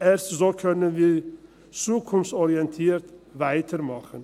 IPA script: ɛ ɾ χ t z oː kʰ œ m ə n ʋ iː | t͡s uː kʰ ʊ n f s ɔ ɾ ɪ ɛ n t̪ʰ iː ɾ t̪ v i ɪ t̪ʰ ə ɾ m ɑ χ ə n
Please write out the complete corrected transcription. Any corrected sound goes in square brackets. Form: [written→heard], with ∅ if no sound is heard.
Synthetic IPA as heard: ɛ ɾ [χ→s] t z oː kʰ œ [m→n] ə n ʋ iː | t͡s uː kʰ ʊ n f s ɔ ɾ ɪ ɛ n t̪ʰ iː ɾ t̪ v [i→æ] ɪ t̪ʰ ə ɾ m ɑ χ ə n

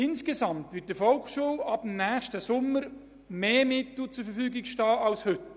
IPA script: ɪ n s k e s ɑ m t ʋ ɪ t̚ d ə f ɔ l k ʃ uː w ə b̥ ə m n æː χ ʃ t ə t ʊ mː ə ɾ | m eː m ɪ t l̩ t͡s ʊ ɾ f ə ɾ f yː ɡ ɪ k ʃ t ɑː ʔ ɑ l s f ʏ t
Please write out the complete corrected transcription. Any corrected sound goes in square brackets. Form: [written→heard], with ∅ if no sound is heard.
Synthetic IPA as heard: ɪ n s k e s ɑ m t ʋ ɪ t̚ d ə f ɔ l k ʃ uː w [ə→ɑ] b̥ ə m n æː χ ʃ t ə [t→s] ʊ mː ə ɾ | m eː m ɪ t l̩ t͡s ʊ ɾ f ə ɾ f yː ɡ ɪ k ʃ t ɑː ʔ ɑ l s [f→h] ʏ t

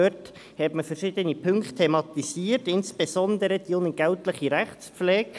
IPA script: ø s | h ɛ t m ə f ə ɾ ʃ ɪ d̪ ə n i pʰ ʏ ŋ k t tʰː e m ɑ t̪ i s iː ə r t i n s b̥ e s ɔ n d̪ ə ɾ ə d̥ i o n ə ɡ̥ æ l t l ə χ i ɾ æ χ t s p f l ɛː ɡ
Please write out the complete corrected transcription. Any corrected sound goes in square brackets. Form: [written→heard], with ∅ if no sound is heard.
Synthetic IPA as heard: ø [s→t] | h ɛ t m ə f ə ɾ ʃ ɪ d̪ ə n i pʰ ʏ ŋ k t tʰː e m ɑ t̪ i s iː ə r t [i→ɪ] n s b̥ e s ɔ n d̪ ə ɾ ə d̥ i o n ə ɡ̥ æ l t l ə χ i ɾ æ χ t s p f l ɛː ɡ

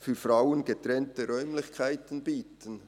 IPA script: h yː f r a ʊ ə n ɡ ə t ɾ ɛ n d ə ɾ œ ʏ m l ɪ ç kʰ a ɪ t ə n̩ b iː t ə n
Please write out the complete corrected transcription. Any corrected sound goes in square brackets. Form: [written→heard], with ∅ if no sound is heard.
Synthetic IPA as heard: [h→f] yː f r a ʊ ə n ɡ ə t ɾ ɛ n [d→t] ə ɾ œ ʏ m l ɪ ç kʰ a ɪ t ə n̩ b iː t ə n

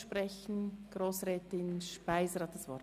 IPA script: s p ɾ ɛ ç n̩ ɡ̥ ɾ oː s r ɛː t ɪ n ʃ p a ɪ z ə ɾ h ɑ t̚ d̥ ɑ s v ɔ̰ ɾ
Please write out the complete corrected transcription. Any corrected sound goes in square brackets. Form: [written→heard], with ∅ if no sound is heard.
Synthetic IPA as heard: [s→ʃ] p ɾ ɛ ç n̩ ɡ̥ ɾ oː s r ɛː t ɪ n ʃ p a ɪ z ə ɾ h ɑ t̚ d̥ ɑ s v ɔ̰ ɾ

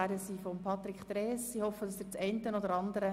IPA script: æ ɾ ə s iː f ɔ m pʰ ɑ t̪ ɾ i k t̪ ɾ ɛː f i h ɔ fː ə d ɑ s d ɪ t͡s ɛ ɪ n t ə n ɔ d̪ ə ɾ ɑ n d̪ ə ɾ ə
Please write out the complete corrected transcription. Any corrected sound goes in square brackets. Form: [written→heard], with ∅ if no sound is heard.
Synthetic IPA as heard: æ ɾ ə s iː f ɔ m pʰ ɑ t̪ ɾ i k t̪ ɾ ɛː [f→s] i h ɔ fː ə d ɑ s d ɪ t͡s ɛ ɪ n t ə n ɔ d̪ ə ɾ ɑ n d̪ ə ɾ ə

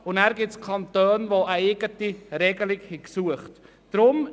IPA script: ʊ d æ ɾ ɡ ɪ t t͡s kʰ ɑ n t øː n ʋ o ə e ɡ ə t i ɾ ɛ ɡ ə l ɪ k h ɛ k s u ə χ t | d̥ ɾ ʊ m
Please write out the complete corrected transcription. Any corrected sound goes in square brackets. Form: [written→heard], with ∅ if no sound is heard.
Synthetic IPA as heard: ʊ [d→n] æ ɾ ɡ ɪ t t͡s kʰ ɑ n t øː n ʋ o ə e ɡ ə t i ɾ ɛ ɡ ə l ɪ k h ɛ k s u ə χ t | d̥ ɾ ʊ m

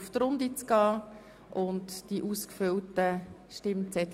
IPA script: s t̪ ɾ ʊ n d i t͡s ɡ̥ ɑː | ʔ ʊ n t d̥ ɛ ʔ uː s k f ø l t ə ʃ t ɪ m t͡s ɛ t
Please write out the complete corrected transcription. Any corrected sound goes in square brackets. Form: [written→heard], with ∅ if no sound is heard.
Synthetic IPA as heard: [s→f] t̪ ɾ ʊ n d i t͡s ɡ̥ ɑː | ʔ ʊ n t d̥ [ɛ→i] ʔ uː s k f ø l t ə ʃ t ɪ m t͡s ɛ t

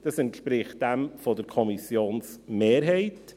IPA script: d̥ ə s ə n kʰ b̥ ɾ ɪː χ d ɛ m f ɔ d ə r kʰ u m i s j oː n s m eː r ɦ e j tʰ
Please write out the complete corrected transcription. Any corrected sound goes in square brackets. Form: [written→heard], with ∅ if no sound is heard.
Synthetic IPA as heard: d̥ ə s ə n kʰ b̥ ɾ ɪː χ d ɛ m f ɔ d ə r kʰ [u→ɔ] m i s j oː n s m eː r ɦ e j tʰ

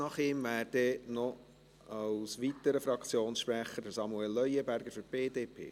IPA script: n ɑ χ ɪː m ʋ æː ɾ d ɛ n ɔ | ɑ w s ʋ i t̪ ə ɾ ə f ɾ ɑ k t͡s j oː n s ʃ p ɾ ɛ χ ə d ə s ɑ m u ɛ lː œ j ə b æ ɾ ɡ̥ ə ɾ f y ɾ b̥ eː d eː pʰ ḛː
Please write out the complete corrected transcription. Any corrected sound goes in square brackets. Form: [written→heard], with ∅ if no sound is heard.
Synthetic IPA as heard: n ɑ χ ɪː m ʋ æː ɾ d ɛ n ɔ | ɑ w s ʋ i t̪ ə ɾ ə f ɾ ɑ k t͡s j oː n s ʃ p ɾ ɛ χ ə d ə s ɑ m u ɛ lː œ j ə b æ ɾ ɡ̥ ə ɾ f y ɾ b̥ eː d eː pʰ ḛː

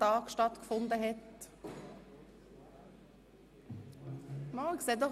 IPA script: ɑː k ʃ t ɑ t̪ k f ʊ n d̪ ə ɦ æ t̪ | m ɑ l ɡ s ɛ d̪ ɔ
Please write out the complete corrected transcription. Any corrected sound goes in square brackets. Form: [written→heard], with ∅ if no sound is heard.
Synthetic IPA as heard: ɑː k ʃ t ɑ t̪ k f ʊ n d̪ ə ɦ [æ→ɛ] t̪ | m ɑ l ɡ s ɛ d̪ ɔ

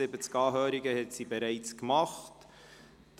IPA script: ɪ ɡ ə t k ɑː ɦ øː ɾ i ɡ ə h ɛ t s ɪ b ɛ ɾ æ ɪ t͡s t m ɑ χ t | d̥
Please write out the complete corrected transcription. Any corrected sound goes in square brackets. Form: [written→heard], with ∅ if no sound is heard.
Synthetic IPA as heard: ɪ [ɡ→b] ə [t→t͡s] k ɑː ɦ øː ɾ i ɡ ə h ɛ t s [ɪ→i] b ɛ ɾ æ ɪ t͡s [t→k] m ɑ χ t | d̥

